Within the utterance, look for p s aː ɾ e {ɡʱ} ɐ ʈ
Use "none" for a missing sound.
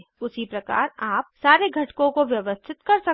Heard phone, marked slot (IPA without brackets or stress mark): ɡʱ